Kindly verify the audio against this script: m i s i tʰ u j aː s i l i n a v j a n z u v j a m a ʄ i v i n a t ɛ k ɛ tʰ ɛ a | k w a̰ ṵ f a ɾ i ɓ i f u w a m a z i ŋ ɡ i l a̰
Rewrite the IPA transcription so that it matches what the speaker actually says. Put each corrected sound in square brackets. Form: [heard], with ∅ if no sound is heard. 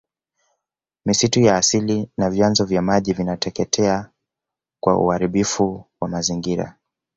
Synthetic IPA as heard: m i s i [t] u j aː s i l i n a v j a n z [ɔ] v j a m a ʄ i v i n a t ɛ k ɛ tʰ ɛ a | k w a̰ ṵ [h] a ɾ i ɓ i f u w a m a z i ŋ ɡ i [ɾ] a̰